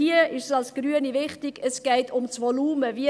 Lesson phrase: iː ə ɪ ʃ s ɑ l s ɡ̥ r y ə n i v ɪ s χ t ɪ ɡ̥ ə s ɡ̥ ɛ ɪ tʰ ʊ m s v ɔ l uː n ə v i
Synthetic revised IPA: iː ə ɪ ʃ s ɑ l s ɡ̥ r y ə n i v ɪ χ t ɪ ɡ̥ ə s ɡ̥ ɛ ɪ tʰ ʊ m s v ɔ l uː m ə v i